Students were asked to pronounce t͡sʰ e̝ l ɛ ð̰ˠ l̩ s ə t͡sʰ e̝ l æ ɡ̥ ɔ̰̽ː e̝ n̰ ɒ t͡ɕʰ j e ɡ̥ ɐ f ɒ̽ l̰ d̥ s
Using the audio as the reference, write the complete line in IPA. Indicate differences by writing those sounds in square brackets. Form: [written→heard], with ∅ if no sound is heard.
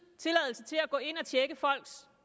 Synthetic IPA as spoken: t͡sʰ e̝ l ɛ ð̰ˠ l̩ s ə t͡sʰ e̝ l æ ɡ̥ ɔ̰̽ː e̝ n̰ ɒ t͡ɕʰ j e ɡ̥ [ɐ→ə] f ɒ̽ l̰ [d̥→ɡ̥] s